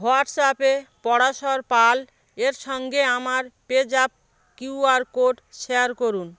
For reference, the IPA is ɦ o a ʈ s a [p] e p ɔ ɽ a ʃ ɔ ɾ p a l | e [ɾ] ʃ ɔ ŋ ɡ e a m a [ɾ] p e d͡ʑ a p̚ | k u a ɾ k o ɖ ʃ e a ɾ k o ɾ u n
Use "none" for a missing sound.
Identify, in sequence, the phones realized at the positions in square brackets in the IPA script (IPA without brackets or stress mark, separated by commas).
p, ɾ, ɾ